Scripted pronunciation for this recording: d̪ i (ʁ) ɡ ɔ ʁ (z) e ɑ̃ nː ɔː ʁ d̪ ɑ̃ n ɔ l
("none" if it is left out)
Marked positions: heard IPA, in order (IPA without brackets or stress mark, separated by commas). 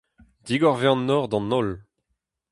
none, v